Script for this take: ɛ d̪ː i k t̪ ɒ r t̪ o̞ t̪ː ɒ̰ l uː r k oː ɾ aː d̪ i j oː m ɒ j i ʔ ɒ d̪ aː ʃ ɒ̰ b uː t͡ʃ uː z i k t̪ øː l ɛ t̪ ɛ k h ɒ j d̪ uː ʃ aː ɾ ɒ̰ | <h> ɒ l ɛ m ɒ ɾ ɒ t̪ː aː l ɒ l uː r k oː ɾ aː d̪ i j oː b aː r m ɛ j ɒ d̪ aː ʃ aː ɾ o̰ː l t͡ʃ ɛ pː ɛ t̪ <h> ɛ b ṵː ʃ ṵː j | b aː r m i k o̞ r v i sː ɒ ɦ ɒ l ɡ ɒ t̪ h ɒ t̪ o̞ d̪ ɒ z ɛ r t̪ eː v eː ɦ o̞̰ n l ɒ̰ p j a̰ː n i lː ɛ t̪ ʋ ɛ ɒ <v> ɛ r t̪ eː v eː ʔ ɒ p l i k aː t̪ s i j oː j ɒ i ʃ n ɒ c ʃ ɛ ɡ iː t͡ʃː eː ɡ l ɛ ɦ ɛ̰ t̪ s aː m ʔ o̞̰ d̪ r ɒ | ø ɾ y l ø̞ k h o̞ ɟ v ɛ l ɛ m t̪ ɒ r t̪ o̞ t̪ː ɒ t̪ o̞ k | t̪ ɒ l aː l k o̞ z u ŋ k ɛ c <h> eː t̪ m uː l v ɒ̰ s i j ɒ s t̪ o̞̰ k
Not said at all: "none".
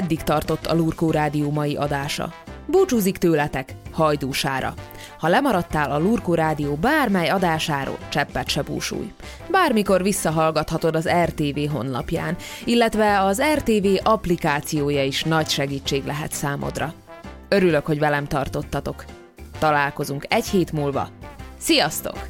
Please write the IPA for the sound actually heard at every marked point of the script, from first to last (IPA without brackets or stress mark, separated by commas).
h, ʃ, z, h